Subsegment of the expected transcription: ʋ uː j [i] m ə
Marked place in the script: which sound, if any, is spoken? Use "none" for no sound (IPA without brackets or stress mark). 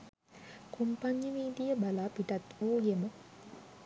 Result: e